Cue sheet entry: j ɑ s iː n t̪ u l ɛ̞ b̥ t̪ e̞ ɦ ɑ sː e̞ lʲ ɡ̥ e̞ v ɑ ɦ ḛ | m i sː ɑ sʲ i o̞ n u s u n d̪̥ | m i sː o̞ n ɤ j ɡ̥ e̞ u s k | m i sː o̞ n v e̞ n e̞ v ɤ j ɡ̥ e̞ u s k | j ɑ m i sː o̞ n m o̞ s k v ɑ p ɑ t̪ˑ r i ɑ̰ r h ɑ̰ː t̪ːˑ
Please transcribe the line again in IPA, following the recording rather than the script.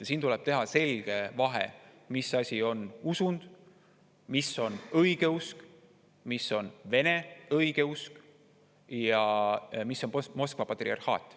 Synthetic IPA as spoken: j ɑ s iː n t̪ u l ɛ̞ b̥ t̪ e̞ ɦ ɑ s e̞ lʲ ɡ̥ e̞ v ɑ ɦ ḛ | m i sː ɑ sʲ i o̞ n u s u n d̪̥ | m i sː o̞ n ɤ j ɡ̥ e̞ u s k | m i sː o̞ n v e̞ n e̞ ɤ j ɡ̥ e̞ u s k | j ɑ m i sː o̞ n m o̞ s k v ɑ p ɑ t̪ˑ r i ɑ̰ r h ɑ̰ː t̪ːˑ